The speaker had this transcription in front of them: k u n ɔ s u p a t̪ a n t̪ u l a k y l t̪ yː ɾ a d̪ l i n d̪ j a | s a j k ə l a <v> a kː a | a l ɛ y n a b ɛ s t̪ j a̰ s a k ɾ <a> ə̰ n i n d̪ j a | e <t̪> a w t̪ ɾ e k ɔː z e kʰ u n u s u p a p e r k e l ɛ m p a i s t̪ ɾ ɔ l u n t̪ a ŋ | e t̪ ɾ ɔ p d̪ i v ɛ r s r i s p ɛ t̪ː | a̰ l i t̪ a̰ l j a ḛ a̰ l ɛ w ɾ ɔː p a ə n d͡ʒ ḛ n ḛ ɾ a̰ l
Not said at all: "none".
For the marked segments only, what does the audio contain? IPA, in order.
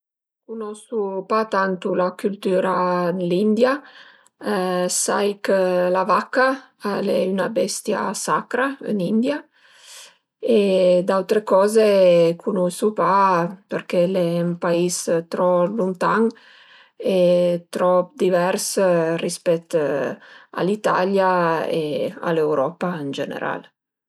v, a, d̪

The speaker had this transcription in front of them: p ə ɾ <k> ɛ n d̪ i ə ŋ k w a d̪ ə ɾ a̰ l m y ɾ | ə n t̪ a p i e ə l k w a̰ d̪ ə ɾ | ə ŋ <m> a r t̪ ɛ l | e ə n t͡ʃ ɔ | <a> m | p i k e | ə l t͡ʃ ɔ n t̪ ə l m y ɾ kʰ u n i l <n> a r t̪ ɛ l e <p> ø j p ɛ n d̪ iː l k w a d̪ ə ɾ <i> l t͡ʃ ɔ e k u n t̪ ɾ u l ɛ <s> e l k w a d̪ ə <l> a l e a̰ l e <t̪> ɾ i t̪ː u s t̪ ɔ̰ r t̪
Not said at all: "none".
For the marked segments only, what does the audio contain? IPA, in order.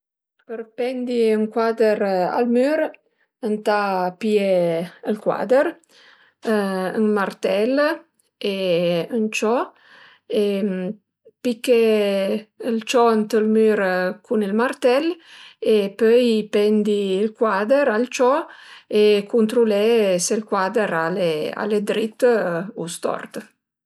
p, m, e, m, p, a, s, ɾ, d̪

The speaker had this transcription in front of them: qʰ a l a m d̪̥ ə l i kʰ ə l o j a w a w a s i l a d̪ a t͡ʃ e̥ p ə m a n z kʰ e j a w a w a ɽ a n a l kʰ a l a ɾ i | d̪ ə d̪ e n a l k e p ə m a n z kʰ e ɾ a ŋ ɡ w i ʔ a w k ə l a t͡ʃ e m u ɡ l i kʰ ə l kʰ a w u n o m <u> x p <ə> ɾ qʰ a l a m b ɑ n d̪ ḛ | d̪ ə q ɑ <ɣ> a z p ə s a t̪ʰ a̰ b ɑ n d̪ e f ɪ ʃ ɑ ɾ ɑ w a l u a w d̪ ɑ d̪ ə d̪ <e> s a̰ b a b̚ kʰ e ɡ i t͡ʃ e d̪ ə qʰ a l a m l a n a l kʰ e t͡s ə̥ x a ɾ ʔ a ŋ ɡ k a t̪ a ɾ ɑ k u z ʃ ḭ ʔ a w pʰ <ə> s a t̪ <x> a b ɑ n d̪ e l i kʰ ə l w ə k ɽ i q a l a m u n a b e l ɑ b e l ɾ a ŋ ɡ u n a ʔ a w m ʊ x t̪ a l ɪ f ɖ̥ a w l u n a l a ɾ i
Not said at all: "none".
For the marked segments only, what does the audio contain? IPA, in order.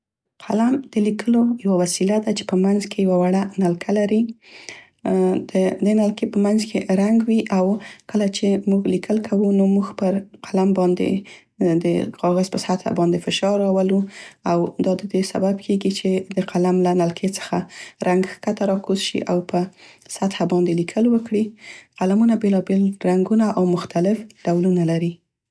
u, ə, ɣ, e, ə, h

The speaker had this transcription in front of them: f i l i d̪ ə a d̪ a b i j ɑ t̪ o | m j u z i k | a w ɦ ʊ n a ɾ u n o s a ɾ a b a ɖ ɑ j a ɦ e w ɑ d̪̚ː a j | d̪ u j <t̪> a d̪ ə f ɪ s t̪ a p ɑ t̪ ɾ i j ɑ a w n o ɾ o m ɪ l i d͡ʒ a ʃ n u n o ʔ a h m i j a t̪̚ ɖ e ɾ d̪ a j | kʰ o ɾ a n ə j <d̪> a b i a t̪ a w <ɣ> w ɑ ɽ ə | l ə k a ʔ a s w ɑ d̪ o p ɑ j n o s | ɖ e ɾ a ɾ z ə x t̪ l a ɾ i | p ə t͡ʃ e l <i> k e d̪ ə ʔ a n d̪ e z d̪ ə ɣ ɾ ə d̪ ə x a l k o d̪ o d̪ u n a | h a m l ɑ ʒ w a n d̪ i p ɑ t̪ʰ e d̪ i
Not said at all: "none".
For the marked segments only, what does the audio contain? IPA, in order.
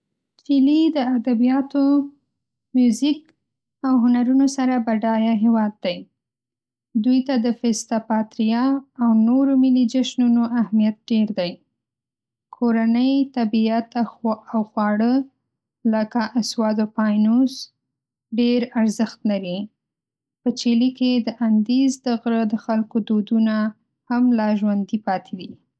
t̪, t̪, x, i

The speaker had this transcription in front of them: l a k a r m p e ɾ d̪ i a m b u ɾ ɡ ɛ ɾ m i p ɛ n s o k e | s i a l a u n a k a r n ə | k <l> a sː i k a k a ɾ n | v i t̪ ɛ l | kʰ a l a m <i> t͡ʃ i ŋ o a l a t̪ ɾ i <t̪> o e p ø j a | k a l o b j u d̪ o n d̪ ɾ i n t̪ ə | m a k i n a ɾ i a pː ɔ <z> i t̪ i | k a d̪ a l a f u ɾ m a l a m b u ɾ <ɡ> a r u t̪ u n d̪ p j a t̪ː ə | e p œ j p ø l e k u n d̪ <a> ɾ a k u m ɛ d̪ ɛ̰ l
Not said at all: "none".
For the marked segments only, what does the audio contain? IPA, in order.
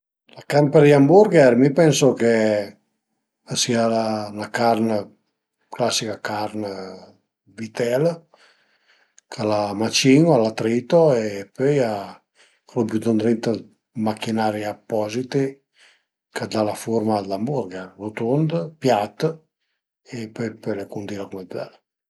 l, a, t̪, z, ɡ, i

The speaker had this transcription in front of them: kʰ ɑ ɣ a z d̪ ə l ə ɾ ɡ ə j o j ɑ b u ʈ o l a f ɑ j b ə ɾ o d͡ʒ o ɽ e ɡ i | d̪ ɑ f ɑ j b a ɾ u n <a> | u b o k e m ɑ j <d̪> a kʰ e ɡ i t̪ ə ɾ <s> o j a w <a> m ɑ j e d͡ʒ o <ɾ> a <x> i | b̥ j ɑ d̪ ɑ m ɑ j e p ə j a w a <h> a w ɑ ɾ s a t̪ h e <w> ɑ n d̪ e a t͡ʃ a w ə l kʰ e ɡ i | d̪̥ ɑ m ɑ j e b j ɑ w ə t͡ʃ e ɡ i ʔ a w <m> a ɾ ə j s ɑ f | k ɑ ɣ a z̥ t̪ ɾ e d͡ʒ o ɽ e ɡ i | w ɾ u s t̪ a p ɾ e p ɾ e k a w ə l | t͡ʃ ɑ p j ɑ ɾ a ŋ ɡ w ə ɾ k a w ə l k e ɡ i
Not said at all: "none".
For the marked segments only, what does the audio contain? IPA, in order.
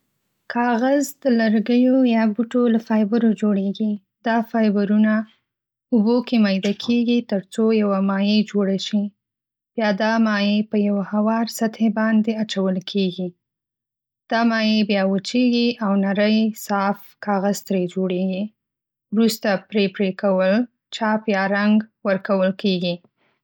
a, d̪, t͡s, a, ɽ, ʃ, h, b, n

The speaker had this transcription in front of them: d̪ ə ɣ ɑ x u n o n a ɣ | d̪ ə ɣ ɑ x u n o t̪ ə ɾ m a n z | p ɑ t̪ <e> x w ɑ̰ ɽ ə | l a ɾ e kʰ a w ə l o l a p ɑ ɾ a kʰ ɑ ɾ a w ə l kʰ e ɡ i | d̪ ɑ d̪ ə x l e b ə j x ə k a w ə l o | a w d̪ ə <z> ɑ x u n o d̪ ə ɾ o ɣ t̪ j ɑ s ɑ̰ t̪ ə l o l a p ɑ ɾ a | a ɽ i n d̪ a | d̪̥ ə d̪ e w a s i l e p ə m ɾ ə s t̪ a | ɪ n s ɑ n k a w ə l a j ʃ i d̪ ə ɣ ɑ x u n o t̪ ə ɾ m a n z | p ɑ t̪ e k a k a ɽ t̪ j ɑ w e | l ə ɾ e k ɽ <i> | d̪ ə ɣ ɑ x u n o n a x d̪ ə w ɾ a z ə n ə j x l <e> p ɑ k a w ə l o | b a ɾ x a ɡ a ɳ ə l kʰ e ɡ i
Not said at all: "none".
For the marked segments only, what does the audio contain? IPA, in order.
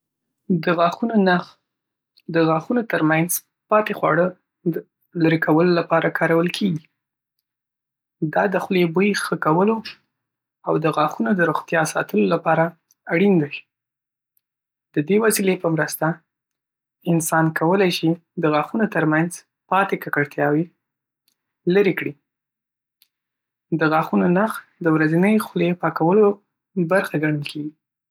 e, ɣ, i, e

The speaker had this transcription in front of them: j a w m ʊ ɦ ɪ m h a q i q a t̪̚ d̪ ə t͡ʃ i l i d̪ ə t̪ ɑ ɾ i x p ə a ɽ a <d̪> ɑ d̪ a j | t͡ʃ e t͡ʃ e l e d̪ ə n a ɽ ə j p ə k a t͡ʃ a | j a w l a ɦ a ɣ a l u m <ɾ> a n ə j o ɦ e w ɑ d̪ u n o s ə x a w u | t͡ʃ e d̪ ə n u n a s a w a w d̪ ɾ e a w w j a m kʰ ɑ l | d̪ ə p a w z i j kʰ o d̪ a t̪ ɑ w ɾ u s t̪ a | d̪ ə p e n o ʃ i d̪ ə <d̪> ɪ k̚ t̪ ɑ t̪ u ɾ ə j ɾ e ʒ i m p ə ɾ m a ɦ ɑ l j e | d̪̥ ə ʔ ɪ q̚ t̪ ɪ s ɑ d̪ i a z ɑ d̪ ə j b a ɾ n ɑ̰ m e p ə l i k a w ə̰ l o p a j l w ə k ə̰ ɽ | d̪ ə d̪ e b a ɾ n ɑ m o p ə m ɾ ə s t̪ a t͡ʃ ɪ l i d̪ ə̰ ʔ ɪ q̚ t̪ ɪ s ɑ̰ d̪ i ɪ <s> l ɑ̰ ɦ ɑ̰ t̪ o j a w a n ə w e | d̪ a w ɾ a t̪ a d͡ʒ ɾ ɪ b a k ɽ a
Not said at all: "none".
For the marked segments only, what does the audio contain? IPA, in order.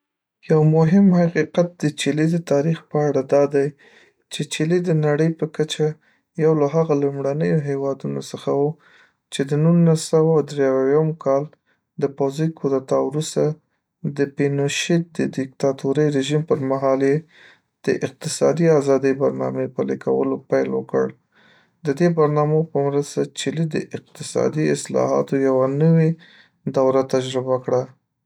d̪, ɽ, d̪, s

